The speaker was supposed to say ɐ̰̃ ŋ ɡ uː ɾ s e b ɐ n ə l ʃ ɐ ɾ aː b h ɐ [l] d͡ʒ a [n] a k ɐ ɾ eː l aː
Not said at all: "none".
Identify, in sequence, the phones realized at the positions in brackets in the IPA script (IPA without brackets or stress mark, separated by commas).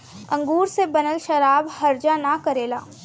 ɾ, n